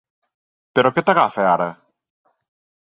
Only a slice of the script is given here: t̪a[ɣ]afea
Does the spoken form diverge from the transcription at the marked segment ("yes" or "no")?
no